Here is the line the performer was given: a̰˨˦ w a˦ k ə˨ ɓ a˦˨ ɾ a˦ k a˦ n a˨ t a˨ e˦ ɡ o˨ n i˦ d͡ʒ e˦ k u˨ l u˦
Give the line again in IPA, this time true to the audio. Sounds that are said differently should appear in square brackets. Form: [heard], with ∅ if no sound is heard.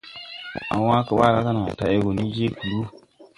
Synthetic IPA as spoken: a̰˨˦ w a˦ k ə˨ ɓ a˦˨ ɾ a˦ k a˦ n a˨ t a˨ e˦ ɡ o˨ n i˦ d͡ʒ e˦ k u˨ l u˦